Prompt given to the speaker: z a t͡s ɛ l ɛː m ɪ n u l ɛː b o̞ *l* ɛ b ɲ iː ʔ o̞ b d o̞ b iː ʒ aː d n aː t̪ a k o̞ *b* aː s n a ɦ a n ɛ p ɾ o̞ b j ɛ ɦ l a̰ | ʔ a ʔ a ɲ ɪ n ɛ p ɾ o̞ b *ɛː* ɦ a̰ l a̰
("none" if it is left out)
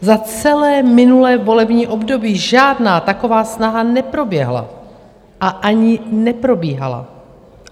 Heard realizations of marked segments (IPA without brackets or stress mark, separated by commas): l, v, iː